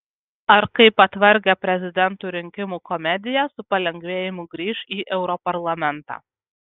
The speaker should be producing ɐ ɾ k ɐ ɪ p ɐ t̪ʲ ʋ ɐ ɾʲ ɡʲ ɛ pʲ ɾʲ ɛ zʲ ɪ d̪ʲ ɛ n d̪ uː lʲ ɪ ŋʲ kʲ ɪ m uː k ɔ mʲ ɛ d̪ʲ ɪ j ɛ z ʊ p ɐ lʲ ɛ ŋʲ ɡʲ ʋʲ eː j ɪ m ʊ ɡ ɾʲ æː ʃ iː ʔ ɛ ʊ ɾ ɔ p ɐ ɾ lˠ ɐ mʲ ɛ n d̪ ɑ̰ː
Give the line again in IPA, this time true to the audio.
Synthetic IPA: ɐ ɾ k ɐ ɪ p ɐ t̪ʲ ʋ ɐ ɾʲ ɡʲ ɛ pʲ ɾʲ ɛ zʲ ɪ d̪ʲ ɛ n t̪ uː ɾʲ ɪ ŋʲ kʲ ɪ m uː k ɔ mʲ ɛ d̪ʲ ɪ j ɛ s ʊ p ɐ lʲ ɛ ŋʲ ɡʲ ʋʲ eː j ɪ m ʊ ɡ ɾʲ iː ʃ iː ʔ ɛ ʊ ɾ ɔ p ɐ ɾ lˠ ɐ mʲ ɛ n t̪ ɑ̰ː